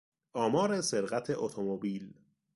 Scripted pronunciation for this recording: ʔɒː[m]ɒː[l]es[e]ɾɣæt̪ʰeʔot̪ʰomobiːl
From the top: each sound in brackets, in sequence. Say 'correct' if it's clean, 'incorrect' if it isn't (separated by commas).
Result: correct, incorrect, correct